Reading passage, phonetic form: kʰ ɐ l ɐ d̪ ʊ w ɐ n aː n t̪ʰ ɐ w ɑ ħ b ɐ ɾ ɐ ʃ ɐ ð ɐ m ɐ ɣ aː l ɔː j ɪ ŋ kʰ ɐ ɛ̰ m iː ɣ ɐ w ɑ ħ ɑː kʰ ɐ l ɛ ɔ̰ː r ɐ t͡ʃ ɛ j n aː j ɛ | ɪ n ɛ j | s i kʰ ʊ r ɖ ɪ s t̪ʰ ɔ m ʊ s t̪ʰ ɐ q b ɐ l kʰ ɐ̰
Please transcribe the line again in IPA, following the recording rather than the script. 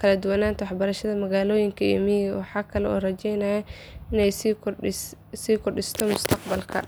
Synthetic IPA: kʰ ɐ l ɐ d̪ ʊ w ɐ n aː n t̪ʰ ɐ w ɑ ħ b ɐ ɾ ɐ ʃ ɐ ð ɐ m ɐ ɣ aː l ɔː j ɪ ŋ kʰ ɐ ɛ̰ m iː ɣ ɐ w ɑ ħ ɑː kʰ ɐ l ɛ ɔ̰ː r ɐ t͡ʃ ɛ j n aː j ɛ | ɪ n ɛ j | s iː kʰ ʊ r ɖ ɪ s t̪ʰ ɔ m ʊ s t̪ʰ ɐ q b ɐ l kʰ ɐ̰

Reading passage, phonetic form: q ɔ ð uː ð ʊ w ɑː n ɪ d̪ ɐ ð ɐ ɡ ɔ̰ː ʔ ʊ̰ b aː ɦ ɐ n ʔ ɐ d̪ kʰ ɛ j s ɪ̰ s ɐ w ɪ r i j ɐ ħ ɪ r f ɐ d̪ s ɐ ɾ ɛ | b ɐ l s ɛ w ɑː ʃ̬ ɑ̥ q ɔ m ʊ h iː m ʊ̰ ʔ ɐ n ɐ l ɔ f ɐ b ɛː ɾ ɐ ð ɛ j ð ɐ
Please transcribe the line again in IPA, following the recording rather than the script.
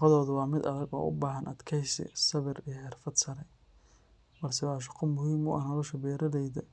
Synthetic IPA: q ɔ ð ɔː ð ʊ w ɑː m ɪ d̪ ɐ ð ɐ ɡ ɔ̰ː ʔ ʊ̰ b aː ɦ ɐ n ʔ ɐ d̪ kʰ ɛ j s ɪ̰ s ɐ β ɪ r i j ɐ ħ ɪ r f ɐ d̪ s ɐ ɾ ɛ | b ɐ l s ɛ w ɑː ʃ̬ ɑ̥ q ɔ m ʊ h iː m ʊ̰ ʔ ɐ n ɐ l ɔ ʃ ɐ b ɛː ɾ ɐ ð ɛ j ð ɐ

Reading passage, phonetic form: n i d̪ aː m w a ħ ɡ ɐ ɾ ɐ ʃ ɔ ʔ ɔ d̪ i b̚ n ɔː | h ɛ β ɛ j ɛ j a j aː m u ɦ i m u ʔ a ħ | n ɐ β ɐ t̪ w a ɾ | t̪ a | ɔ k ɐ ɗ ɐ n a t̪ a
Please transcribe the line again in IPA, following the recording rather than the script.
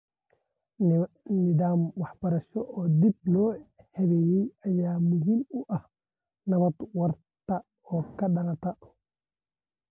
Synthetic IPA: n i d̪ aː m w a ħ b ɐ ɾ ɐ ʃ ɔ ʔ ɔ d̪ i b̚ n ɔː | h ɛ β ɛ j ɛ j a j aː m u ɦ i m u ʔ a h | n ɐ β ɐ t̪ w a ɾ | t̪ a | ɔ k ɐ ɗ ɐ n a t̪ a

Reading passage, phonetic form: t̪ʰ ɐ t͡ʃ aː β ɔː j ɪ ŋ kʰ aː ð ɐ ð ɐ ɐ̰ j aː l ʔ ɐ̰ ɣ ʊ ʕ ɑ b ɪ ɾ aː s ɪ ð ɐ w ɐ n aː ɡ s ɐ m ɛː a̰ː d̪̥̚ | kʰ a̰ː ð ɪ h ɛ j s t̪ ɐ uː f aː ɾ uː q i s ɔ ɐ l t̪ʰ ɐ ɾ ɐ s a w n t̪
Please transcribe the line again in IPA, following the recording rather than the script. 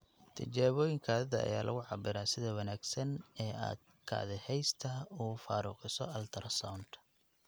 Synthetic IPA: t̪ʰ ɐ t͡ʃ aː β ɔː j ɪ ŋ kʰ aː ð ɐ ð ɐ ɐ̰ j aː l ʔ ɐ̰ ɣ ʊ ʕ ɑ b ɪ ɾ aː s ɪ ð ɐ w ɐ n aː ɡ s ɐ n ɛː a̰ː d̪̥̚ | kʰ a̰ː ð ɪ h ɛ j s t̪ʰ ɐ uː f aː ɾ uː q ɪ s ɔ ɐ l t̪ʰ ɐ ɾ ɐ s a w n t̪

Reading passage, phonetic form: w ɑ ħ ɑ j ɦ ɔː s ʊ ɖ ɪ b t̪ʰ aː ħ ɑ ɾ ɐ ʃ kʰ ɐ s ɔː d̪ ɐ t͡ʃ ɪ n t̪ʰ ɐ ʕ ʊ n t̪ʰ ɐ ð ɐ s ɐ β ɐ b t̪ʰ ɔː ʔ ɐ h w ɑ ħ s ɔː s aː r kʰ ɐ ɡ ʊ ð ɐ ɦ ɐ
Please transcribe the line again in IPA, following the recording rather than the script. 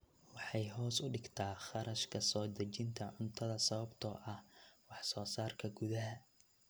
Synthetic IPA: w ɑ ħ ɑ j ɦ ɔː s ʊ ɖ ɪ ɡ t̪ʰ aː χ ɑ ɾ ɐ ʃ kʰ ɐ s ɔː d̪ ɐ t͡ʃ ɪ n t̪ʰ ɐ ʕ ʊ n t̪ʰ ɐ ð ɐ s ɐ β ɐ b t̪ʰ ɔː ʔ ɐ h w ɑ ħ s ɔː s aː r kʰ ɐ ɡ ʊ ð ɐ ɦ ɐ

